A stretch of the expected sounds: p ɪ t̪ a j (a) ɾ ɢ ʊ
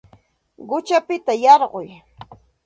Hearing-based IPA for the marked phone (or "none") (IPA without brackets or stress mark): ɑ